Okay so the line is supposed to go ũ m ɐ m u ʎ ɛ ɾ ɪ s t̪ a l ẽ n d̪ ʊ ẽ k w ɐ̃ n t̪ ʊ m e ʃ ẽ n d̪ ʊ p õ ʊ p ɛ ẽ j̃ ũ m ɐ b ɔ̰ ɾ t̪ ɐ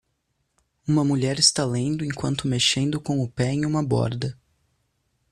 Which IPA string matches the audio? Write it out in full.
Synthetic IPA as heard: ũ m ɐ m u ʎ ɛ ɾ ɪ s t̪ a l ẽ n d̪ ʊ ẽ k w ɐ̃ n t̪ ʊ m e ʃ ẽ n d̪ ʊ k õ ʊ p ɛ ẽ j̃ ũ m ɐ b ɔ̰ ɾ d̪ ɐ